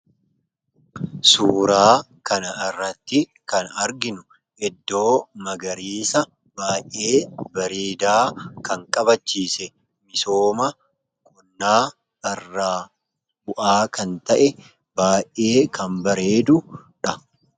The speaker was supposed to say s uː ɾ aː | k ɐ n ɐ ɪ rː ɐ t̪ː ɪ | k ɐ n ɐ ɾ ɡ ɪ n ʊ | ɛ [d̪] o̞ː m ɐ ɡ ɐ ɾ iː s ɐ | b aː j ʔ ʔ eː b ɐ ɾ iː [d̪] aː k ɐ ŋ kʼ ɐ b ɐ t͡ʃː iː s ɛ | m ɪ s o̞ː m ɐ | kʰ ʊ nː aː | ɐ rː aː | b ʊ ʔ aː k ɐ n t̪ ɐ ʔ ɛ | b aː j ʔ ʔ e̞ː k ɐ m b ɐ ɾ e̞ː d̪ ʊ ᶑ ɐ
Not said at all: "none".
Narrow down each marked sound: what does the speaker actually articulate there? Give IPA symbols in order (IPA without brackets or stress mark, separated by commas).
d̪ː, d̪